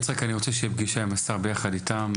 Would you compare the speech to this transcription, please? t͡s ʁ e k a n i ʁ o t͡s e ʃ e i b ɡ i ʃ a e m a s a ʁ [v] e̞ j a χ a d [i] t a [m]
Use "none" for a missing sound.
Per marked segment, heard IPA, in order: b, i, m

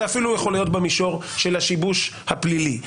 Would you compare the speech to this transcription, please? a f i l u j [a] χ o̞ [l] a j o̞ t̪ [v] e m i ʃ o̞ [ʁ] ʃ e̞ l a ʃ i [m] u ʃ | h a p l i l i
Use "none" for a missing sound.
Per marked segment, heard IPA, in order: e, l, b, ʁ, b

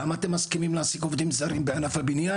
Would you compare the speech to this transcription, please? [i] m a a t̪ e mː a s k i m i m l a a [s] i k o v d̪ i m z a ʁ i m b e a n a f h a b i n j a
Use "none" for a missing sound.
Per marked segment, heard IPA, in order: a, s

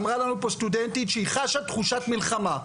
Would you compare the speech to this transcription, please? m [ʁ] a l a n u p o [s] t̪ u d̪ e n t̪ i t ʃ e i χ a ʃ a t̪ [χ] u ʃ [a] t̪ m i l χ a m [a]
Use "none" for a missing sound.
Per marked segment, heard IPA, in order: ʁ, s, χ, a, a

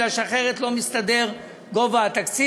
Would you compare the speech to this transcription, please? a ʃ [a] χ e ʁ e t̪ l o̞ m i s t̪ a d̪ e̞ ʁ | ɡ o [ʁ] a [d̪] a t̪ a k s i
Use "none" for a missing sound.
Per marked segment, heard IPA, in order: a, v, none

